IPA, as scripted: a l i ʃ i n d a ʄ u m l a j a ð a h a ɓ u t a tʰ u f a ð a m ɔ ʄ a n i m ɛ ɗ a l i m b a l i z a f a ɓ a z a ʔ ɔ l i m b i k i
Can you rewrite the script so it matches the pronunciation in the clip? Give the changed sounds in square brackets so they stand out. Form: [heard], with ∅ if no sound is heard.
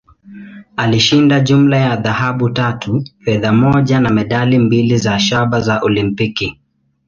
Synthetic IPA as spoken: a l i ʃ i n d a ʄ u m l a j a ð a h a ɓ u t a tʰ u f [ɛ] ð a m ɔ ʄ a n [a] m ɛ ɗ a l i m b [i] l i z a [ʃ] a ɓ a z a ʔ ɔ l i m [p] i k i